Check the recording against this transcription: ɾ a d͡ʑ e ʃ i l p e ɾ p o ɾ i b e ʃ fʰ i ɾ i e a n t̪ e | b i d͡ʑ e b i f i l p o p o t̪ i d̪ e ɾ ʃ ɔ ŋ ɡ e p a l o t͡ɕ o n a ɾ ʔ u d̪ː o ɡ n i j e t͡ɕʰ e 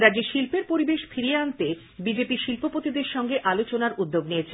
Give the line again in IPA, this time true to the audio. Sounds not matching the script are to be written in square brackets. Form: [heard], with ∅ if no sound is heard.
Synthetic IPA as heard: ɾ a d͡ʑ e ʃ i l p e ɾ p o ɾ i b e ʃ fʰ i ɾ i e a n t̪ e | b i d͡ʑ e [p] i [ʃ] i l p o p o t̪ i d̪ e ɾ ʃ ɔ ŋ ɡ e [ʔ] a l o t͡ɕ o n a ɾ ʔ u d̪ː o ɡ n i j e t͡ɕʰ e